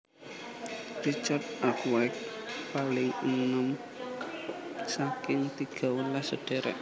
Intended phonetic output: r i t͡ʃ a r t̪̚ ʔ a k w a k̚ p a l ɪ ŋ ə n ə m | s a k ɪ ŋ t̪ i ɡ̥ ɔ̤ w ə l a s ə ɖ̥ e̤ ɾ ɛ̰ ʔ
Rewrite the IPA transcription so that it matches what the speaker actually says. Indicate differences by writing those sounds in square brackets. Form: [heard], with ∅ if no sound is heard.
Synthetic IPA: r i t͡ʃ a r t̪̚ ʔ a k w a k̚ p a l ɪ ŋ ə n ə m | s a k ɪ ŋ t̪ i ɡ̥ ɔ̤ w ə l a s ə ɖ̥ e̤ ɾ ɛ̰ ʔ

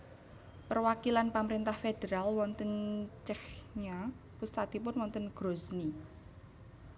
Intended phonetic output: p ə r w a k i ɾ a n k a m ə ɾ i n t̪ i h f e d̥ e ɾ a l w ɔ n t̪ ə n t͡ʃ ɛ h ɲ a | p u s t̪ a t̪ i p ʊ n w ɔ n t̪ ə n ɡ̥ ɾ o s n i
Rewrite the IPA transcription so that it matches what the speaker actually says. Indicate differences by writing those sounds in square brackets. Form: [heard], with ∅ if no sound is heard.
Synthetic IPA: p ə r w a k i [l] a n [p] a m ə ɾ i n t̪ [a] h f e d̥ e ɾ a l w ɔ n t̪ ə n t͡ʃ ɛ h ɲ a | p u s t̪ a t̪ i p ʊ n w ɔ n t̪ ə n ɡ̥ ɾ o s n i

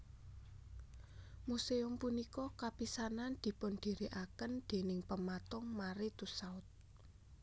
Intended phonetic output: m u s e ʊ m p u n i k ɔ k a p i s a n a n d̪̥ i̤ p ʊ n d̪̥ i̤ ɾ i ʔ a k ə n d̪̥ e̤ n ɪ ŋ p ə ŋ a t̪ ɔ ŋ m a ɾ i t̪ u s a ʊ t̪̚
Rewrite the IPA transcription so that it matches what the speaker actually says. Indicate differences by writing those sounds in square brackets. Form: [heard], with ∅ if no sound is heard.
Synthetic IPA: m u s e ʊ m p u n i k ɔ k a p i s a n a n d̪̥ i̤ p ʊ n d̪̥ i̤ ɾ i ʔ a k ə n d̪̥ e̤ n ɪ ŋ p ə [m] a t̪ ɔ ŋ m a ɾ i t̪ u s a ʊ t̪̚

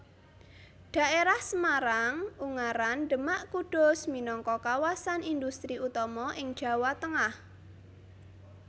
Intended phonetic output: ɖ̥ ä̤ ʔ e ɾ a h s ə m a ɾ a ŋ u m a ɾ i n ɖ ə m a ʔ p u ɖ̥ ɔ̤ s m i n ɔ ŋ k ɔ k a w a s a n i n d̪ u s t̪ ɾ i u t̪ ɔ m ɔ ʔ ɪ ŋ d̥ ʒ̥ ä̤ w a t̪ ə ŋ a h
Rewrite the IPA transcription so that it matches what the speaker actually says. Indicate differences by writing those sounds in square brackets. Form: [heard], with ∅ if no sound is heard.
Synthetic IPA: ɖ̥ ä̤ ʔ e ɾ a h s ə m a ɾ a ŋ u [ŋ] a ɾ [a] n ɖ ə m a ʔ [k] u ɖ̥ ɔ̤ s m i n ɔ ŋ k ɔ k a w a s a n i n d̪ u s t̪ ɾ i u t̪ ɔ m ɔ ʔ ɪ ŋ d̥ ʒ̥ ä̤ w a t̪ ə ŋ a h

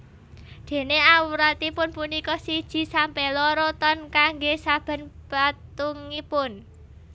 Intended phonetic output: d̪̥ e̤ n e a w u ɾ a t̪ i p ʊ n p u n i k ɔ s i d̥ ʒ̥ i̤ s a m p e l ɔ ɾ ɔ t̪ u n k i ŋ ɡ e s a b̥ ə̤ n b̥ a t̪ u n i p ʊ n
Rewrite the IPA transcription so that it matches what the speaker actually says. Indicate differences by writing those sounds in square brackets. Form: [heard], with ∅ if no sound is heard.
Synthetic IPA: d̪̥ e̤ n e a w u ɾ a t̪ i p ʊ n p u n i k ɔ s i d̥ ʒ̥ i̤ s a m p e l ɔ ɾ ɔ t̪ [ɔ] n k [a] ŋ ɡ e s a b̥ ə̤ n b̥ a t̪ u [ŋ] i p ʊ n

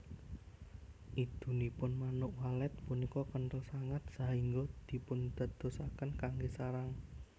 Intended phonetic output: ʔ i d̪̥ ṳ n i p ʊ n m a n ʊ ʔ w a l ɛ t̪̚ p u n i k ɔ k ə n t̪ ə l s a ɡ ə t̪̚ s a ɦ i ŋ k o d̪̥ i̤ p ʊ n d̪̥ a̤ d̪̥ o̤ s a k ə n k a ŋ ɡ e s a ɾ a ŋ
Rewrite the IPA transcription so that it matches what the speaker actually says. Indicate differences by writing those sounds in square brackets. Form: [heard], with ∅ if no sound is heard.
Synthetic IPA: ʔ i d̪̥ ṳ n i p ʊ n m a n ʊ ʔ w a l ɛ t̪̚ p u n i k ɔ k ə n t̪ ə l s a [ŋ] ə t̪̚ s a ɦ i ŋ [ɡ] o d̪̥ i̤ p ʊ n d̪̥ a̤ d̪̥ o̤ s a k ə n k a ŋ ɡ e s a ɾ a ŋ

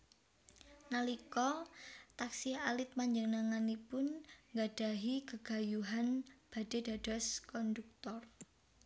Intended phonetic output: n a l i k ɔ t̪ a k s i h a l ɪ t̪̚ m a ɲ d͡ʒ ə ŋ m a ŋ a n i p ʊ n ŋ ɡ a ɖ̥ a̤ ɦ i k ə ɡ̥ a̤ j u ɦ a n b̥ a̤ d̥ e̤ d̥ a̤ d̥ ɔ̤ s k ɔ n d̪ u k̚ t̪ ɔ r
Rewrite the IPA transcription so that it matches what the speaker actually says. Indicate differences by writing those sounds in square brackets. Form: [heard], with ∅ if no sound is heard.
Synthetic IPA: n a l i k ɔ t̪ a k s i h a l ɪ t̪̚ m a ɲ d͡ʒ ə ŋ [n] a ŋ a n i p ʊ n ŋ ɡ a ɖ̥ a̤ ɦ i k ə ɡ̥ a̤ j u ɦ a n b̥ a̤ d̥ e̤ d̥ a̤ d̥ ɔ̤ s k ɔ n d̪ u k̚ t̪ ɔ r

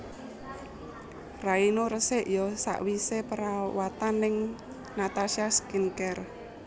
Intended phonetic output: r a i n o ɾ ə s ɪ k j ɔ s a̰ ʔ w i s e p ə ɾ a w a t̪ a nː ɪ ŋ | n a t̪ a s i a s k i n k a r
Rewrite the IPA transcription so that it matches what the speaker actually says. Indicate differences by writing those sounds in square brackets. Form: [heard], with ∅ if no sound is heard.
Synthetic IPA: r a i n o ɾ ə s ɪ [ʔ] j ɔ s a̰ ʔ w i s e p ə ɾ a w a t̪ a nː ɪ ŋ | n a t̪ a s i a s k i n k [ɛ] r

